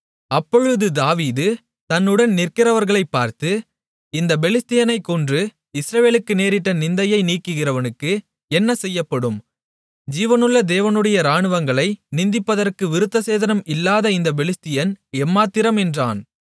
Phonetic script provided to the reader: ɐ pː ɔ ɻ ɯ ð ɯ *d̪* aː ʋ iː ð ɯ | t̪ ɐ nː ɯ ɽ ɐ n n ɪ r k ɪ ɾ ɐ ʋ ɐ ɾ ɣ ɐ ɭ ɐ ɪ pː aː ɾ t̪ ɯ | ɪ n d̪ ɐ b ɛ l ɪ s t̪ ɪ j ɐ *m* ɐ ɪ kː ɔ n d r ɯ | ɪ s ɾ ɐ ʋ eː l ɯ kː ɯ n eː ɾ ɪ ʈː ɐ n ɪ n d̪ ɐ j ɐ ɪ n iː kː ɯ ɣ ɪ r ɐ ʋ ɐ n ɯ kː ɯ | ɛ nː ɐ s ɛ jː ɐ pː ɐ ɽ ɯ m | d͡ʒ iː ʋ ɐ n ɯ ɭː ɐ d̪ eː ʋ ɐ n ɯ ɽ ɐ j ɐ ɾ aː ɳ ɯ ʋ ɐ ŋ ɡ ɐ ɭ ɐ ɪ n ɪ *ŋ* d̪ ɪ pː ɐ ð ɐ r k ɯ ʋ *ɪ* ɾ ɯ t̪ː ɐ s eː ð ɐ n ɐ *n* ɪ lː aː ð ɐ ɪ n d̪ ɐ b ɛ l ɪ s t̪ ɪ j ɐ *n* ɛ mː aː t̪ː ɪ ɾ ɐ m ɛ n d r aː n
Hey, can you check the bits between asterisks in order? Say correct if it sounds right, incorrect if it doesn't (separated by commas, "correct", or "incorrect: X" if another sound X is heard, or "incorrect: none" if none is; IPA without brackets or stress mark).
correct, incorrect: n, incorrect: n, correct, incorrect: m, correct